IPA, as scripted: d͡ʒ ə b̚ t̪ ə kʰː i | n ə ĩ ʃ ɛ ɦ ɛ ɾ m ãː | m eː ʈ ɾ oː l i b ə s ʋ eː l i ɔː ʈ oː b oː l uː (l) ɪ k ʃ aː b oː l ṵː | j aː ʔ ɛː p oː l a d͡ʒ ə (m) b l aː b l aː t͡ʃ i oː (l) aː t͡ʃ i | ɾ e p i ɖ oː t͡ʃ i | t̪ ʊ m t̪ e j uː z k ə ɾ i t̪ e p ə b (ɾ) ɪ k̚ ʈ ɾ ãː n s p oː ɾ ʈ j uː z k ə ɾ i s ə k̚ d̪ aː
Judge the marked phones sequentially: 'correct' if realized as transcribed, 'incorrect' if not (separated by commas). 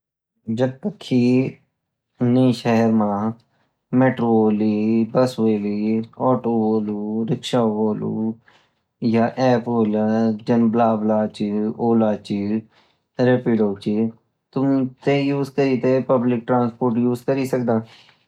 incorrect, incorrect, correct, incorrect